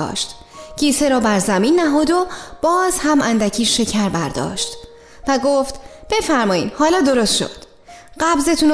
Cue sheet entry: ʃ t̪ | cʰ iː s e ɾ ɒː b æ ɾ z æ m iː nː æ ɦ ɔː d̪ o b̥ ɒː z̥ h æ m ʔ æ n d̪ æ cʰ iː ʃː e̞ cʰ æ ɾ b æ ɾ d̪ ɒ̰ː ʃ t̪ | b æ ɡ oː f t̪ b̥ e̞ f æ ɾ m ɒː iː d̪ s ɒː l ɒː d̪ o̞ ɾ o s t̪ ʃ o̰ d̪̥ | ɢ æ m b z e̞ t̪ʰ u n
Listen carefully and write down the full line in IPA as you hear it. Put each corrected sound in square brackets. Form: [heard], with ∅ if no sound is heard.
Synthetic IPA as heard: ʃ t̪ | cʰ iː s e ɾ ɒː b æ ɾ z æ m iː nː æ ɦ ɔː d̪ o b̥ ɒː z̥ h æ m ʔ æ n d̪ æ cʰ iː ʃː e̞ cʰ æ ɾ b æ ɾ d̪ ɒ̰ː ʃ t̪ | [v] æ ɡ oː f t̪ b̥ e̞ f æ ɾ m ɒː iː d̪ [h] ɒː l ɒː d̪ o̞ ɾ o s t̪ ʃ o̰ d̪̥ | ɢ æ [∅] b z e̞ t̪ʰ u n